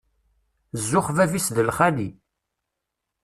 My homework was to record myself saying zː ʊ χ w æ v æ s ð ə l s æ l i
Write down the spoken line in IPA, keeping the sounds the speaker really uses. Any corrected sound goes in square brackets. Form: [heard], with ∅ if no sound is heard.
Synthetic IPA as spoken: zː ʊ χ [v] æ v [i] s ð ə l [χ] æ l i